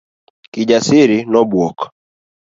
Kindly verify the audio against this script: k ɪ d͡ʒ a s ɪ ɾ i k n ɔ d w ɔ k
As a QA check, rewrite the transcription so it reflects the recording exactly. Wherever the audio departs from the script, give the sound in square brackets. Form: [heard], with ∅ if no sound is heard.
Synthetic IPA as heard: k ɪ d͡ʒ a s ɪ ɾ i [∅] n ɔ [b] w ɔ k